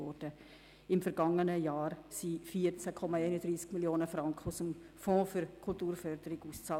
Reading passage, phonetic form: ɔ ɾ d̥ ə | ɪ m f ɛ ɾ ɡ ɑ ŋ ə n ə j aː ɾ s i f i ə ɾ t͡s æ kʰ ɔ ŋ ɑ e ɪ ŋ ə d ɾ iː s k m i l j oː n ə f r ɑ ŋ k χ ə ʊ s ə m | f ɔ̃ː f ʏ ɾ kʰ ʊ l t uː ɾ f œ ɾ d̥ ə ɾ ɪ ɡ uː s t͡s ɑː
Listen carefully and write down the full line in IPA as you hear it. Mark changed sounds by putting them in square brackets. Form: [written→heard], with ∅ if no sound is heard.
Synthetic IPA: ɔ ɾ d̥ ə | ɪ m f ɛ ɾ ɡ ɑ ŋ ə n ə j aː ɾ s i f i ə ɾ t͡s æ kʰ ɔ [ŋ→m] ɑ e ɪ [ŋ→n] ə d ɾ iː s k m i l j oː n ə f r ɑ ŋ k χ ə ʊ s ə m | f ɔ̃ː f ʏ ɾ kʰ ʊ l t uː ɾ f œ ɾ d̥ ə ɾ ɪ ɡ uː s t͡s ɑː

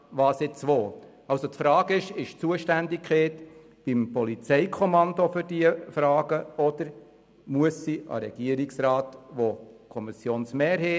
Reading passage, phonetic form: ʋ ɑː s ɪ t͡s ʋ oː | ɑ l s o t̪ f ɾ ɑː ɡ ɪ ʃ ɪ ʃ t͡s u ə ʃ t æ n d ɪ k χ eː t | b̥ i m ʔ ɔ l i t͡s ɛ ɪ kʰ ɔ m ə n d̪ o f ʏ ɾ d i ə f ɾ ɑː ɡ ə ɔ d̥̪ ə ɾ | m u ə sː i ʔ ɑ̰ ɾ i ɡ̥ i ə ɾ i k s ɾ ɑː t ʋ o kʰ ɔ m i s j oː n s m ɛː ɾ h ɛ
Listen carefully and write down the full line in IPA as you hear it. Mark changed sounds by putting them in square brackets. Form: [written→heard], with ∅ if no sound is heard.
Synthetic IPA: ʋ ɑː s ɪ t͡s ʋ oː | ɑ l s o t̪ f ɾ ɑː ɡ ɪ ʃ ɪ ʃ t͡s u ə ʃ t æ n d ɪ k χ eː t | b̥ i m [ʔ→p] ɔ l i t͡s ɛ ɪ kʰ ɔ m [ə→ɑ] n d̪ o f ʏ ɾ d i ə f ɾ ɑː ɡ ə ɔ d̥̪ ə ɾ | m u ə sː i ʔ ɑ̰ ɾ [i→ɛ] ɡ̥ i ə ɾ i k s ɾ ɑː t ʋ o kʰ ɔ m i s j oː n s m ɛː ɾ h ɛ

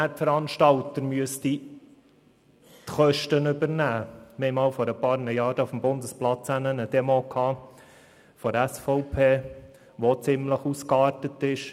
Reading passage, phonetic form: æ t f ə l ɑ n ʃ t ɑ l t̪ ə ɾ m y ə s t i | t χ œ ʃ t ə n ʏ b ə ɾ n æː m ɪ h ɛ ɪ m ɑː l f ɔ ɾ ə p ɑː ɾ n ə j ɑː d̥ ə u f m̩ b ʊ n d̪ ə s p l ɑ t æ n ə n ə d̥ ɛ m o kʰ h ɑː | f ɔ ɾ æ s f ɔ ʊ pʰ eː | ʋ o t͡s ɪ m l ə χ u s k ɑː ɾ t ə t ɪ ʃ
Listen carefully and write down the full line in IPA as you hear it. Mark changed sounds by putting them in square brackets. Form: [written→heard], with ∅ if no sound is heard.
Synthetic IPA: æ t f ə [l→ɾ] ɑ n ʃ t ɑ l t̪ ə ɾ m y ə s t i | t χ œ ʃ t ə n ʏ b ə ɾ n æː m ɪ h ɛ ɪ m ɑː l f ɔ ɾ ə p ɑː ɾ n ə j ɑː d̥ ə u f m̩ b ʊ n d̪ ə s p l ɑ [t→t͡s] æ n ə n ə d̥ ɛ m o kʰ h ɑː | f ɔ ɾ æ s f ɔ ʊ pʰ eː | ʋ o t͡s ɪ m l ə χ u s k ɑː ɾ t ə t ɪ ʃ

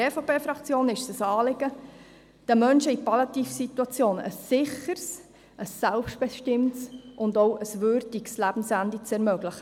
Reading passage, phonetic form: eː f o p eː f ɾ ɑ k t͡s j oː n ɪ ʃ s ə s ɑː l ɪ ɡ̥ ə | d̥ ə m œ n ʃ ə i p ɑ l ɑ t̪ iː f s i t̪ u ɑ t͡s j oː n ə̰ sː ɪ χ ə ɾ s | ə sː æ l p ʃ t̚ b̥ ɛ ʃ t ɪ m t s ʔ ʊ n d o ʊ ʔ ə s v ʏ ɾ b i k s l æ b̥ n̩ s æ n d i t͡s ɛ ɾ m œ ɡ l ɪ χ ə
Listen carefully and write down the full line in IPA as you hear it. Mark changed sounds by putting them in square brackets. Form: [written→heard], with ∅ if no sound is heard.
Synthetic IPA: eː f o p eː f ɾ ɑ k t͡s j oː n ɪ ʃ s ə s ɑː l ɪ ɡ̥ ə | d̥ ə m œ n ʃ ə i p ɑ l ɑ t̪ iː f s i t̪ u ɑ t͡s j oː n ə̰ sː ɪ χ ə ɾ s | ə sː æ l p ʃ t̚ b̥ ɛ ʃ t ɪ m t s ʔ ʊ n d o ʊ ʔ ə s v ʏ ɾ [b→d] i k s l æ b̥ n̩ s æ n d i t͡s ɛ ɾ m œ ɡ l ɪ χ ə

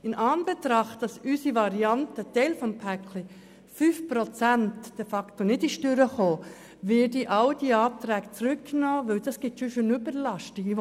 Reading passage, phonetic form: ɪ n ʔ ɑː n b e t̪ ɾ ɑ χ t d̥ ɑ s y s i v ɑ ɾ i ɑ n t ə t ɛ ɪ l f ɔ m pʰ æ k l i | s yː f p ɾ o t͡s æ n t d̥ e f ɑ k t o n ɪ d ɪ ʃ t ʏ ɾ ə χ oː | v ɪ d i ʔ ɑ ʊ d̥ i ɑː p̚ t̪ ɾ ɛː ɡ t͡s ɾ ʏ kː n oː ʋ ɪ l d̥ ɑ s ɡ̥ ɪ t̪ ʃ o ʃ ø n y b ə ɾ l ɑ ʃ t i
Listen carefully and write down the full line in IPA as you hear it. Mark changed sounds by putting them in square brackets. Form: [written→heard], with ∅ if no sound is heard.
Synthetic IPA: ɪ n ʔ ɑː n b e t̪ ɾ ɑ χ t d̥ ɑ s y s i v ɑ ɾ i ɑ n t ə t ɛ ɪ l f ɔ m pʰ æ k l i | [s→f] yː f p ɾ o t͡s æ n t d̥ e f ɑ k t o n ɪ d ɪ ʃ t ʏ ɾ ə χ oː | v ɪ d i ʔ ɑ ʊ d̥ i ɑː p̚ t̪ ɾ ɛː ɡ t͡s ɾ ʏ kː n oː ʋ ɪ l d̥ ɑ s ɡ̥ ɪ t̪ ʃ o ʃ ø n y b ə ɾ l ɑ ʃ t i

